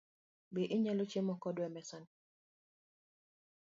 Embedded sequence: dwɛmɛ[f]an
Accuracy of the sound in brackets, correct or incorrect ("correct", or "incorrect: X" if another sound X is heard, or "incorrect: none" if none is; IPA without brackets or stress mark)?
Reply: incorrect: s